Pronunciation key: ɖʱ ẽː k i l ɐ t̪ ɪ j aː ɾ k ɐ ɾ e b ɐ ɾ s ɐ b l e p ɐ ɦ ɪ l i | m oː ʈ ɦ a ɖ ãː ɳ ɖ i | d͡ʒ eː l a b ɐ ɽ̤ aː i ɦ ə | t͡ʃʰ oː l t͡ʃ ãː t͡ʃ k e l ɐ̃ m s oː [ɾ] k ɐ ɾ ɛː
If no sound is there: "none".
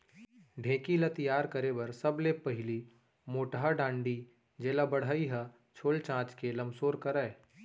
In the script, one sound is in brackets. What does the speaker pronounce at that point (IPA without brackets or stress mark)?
ɾ